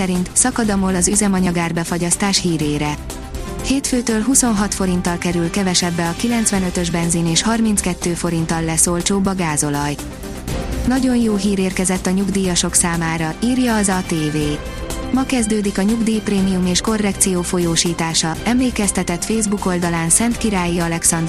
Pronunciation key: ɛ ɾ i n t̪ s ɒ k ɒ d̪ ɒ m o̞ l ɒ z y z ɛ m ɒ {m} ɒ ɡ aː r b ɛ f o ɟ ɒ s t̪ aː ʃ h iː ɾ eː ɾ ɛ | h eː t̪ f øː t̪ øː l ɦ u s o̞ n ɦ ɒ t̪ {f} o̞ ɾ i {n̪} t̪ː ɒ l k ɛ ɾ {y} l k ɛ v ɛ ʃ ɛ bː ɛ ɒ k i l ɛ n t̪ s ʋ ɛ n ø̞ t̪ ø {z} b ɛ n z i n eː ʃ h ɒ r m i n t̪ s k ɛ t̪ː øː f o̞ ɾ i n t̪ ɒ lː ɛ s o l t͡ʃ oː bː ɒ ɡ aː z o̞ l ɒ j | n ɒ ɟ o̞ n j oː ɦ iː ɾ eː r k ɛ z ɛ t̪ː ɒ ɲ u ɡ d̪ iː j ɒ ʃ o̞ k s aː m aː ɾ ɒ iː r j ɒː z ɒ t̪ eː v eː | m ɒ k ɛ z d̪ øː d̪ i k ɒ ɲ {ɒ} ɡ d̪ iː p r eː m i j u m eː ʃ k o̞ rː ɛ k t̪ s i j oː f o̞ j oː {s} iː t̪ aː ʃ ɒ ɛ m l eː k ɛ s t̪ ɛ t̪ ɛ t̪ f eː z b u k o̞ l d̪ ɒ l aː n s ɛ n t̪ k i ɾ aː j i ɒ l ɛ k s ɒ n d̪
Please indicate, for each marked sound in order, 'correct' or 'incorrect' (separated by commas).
incorrect, correct, correct, correct, incorrect, incorrect, incorrect